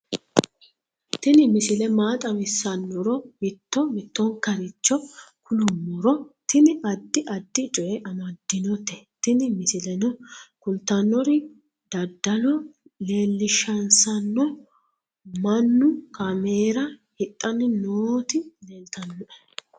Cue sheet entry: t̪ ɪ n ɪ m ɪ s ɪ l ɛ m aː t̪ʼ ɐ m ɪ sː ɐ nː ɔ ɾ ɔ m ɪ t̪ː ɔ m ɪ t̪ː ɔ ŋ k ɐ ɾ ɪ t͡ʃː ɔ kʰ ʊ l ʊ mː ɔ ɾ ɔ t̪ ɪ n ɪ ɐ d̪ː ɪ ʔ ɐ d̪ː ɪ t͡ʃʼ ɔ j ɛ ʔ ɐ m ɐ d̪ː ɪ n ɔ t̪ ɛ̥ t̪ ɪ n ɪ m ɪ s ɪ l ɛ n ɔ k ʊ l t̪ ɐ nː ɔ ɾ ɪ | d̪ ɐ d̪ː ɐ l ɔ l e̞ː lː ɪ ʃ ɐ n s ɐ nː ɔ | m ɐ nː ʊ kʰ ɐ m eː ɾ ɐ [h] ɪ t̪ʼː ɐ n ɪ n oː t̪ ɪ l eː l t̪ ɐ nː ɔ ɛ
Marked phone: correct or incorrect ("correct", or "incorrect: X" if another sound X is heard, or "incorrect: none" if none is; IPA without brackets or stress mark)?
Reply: correct